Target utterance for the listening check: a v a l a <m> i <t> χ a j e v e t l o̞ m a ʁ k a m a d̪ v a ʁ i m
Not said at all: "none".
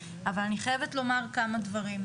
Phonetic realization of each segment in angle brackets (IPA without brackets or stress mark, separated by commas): n, none